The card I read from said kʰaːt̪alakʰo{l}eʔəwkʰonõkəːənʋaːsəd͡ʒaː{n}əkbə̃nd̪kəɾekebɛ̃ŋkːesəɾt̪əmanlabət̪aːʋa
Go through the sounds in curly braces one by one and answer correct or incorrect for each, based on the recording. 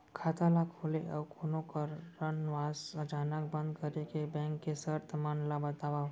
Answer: correct, correct

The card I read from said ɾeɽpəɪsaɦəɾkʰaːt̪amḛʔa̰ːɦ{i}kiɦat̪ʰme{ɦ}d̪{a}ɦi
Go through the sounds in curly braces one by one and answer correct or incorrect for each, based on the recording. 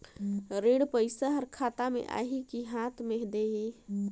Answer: correct, correct, incorrect: e

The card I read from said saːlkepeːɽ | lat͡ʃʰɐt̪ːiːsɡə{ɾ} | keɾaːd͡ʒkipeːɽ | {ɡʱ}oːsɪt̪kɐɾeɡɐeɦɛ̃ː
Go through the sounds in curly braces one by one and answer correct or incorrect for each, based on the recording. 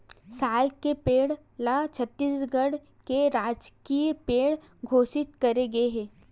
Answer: incorrect: ɽ, correct

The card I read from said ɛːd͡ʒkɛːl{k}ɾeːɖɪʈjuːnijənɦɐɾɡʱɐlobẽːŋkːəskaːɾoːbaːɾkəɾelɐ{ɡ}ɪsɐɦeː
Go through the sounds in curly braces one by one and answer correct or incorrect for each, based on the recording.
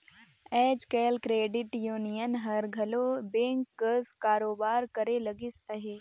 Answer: correct, correct

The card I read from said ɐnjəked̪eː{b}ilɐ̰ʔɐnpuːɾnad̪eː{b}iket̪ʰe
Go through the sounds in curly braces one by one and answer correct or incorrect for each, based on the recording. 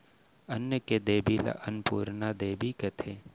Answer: correct, correct

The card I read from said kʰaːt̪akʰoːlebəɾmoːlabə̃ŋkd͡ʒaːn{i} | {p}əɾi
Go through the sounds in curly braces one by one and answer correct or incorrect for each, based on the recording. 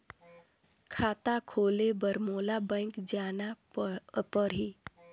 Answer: incorrect: a, correct

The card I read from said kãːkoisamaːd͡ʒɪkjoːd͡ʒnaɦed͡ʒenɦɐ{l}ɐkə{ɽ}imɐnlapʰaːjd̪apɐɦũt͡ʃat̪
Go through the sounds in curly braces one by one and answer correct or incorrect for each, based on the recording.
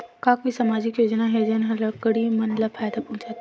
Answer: correct, correct

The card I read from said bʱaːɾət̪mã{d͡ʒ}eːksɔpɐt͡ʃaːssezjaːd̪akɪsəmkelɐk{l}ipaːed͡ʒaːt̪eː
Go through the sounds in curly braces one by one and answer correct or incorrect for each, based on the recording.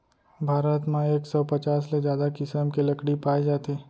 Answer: incorrect: none, incorrect: ɽ

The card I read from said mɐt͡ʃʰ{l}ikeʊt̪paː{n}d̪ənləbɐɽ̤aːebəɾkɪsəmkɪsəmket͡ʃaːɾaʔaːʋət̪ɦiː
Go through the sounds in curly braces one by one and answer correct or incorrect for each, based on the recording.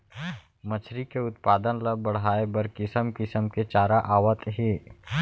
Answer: incorrect: ɾ, incorrect: none

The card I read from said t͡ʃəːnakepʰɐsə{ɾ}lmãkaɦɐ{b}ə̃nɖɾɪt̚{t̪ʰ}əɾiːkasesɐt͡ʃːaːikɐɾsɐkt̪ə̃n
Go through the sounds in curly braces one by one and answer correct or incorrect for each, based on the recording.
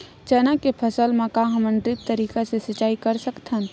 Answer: incorrect: none, incorrect: m, incorrect: t̪

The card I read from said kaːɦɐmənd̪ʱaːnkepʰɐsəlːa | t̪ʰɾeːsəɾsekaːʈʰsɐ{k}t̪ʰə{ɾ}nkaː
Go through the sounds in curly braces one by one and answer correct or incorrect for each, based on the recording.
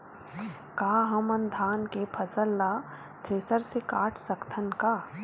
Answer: correct, incorrect: none

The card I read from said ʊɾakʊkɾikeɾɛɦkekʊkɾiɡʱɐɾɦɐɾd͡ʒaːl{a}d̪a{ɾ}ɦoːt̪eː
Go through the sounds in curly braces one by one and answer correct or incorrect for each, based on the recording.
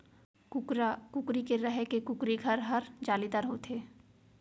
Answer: incorrect: i, correct

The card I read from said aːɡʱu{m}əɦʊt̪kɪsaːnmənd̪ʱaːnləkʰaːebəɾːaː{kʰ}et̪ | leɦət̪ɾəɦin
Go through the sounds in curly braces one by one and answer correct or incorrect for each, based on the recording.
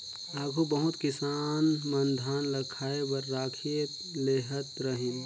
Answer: incorrect: b, correct

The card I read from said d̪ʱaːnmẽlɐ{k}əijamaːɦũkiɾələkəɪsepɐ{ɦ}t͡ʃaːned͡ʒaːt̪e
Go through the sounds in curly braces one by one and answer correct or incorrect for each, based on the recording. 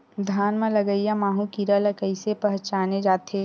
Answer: incorrect: ɡ, correct

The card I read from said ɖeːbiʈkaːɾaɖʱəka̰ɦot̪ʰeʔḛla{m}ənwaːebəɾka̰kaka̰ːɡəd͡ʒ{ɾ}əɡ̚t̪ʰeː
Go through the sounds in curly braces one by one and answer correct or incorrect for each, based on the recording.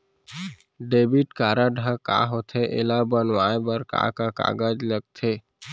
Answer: incorrect: b, incorrect: l

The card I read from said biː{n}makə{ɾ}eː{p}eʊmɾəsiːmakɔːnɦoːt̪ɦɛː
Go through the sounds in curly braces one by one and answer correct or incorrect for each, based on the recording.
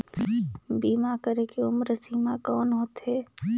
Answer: incorrect: none, correct, incorrect: k

